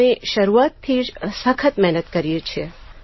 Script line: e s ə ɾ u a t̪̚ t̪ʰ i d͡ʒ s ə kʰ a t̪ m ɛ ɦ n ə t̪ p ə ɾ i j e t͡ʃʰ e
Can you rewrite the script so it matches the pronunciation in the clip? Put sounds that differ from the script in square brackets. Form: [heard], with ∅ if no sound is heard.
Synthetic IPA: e [ʃ] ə ɾ u a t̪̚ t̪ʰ i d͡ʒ s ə kʰ [ə] t̪ m ɛ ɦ n ə t̪ [k] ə ɾ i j e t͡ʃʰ e